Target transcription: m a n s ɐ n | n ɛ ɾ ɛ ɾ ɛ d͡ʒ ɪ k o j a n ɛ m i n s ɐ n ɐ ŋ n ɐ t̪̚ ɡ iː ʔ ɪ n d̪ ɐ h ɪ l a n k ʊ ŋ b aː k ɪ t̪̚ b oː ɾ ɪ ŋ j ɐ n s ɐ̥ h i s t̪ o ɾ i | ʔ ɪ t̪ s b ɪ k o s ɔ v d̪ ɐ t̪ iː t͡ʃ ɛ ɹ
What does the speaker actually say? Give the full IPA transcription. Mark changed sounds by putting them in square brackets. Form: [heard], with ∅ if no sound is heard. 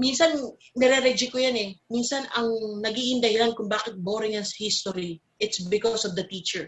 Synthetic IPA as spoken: m [i] n s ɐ n | n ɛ ɾ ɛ ɾ ɛ d͡ʒ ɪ k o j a n ɛ m i n s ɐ n ɐ ŋ n ɐ [∅] ɡ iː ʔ ɪ n d̪ ɐ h ɪ l a n k ʊ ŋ b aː k ɪ t̪̚ b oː ɾ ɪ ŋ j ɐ n s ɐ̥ h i s t̪ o ɾ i | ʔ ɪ t̪ s b ɪ k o s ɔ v d̪ ɐ t̪ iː t͡ʃ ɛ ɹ